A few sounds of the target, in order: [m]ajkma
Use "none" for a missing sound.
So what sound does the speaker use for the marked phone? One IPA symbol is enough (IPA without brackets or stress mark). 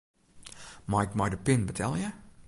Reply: m